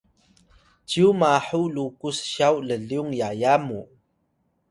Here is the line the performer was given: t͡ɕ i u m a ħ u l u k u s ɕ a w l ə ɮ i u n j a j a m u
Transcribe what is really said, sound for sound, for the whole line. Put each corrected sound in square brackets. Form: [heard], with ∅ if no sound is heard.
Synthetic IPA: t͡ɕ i u m a ħ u l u k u s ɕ a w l ə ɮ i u [ŋ] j a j a m u